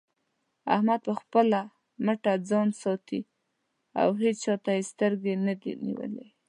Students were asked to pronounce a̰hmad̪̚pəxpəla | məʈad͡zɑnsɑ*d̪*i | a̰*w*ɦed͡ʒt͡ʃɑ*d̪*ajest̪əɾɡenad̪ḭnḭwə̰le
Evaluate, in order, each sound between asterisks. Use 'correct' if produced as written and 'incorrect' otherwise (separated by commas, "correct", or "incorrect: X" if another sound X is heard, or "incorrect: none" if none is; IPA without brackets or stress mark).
incorrect: t̪, correct, incorrect: t̪